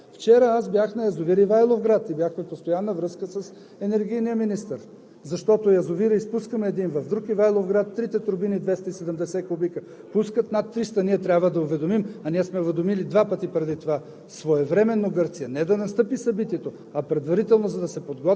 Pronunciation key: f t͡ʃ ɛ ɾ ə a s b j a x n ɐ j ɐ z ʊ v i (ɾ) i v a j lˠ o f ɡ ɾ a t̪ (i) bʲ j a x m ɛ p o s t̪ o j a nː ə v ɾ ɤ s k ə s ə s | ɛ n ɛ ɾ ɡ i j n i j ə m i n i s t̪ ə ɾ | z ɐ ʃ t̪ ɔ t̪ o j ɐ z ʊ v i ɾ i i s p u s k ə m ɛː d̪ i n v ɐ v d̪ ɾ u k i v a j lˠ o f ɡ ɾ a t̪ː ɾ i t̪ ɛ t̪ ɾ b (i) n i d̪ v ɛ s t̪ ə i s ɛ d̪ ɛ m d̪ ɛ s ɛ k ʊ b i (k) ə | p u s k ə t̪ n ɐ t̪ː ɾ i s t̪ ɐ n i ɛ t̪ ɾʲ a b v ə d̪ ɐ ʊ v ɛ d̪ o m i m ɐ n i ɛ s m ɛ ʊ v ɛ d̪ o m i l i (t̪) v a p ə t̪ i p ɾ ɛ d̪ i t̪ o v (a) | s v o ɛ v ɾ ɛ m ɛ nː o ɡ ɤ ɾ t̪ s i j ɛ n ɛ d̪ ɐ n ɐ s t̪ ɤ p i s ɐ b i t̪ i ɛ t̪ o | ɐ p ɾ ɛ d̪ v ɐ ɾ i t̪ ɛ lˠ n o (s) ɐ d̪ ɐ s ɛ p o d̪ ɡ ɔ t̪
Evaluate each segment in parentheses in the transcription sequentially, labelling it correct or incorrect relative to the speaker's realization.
correct, correct, correct, correct, incorrect: d̪, correct, incorrect: z

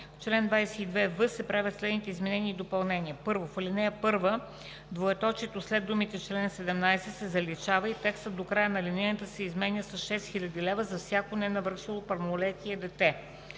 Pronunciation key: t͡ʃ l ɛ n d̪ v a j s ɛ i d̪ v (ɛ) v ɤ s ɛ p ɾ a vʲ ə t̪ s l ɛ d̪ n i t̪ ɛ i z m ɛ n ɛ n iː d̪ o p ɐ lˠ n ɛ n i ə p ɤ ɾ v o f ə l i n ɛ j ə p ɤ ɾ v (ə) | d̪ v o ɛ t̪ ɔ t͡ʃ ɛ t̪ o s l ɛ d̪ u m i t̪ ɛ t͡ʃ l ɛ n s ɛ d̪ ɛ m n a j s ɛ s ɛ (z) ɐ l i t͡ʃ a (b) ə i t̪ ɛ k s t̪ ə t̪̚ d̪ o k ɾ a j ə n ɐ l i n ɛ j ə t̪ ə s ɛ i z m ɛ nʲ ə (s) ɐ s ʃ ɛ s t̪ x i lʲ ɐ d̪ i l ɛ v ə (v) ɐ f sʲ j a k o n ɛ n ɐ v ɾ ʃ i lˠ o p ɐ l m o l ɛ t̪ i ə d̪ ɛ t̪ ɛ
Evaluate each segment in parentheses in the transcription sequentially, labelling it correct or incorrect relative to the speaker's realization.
correct, correct, correct, incorrect: v, correct, incorrect: z

